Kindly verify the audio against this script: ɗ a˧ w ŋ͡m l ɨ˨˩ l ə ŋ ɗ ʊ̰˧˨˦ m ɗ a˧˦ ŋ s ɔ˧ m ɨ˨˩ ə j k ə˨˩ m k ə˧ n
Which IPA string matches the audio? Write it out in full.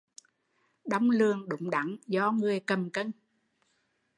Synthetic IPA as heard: ɗ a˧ w ŋ͡m l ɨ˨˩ ə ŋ ɗ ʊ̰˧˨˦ ŋ͡m ɗ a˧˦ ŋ z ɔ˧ ŋ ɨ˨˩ ə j k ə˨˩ m k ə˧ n